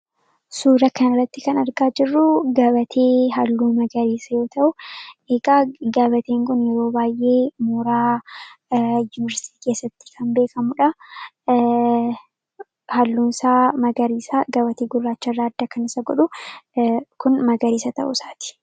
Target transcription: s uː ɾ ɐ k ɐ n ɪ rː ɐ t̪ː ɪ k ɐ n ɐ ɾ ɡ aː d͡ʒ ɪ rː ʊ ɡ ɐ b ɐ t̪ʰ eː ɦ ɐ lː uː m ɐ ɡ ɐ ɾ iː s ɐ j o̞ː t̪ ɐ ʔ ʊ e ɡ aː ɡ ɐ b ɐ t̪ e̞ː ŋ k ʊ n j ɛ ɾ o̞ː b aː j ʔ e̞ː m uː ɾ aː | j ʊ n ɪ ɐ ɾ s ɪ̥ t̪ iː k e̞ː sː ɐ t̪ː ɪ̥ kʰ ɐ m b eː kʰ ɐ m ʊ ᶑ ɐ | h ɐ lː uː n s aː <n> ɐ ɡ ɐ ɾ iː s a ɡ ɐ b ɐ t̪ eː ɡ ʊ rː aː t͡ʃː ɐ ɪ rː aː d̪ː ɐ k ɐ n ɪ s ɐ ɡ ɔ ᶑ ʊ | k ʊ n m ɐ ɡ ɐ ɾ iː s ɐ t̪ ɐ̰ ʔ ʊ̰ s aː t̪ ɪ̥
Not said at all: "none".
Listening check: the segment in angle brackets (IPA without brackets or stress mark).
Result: m